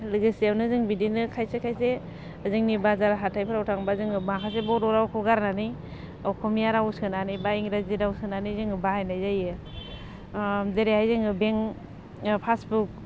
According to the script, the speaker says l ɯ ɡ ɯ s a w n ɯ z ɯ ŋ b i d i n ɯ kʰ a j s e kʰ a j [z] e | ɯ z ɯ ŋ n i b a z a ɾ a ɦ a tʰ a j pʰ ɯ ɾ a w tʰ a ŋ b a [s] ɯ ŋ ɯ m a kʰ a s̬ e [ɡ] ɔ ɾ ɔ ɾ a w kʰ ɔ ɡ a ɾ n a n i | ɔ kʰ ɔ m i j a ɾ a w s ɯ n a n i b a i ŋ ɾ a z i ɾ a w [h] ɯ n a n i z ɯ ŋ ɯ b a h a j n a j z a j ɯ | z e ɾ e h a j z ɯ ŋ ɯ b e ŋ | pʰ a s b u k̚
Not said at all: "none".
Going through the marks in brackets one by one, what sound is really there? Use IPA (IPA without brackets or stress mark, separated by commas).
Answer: s, z, b, s